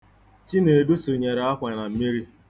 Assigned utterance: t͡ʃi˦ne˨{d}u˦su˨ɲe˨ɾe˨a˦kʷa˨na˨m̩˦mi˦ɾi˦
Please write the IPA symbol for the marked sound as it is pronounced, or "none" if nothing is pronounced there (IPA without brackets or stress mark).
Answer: d